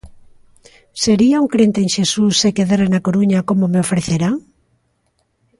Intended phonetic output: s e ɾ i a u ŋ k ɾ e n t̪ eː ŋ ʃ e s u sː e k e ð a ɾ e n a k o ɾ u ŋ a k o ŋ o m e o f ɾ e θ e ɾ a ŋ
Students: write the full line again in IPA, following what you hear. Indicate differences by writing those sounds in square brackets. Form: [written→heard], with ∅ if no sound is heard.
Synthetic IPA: s e ɾ i a u ŋ k ɾ e n t̪ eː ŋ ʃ e s u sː e k e ð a ɾ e n a k o ɾ u [ŋ→ɲ] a k o [ŋ→m] o m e o f ɾ e θ e ɾ a ŋ